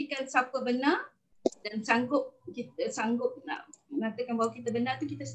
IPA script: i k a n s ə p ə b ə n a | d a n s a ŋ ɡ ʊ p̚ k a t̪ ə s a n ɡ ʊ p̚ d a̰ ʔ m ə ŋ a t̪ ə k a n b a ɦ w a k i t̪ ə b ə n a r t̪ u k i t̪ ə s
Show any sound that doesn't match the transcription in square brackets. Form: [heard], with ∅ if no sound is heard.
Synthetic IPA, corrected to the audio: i k a n s [a] p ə b ə n a | d a n s a ŋ ɡ ʊ p̚ k [i] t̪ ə s a [ŋ] ɡ ʊ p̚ [n] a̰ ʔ m ə ŋ a t̪ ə k a n b a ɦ w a k i t̪ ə b ə n a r t̪ u k i t̪ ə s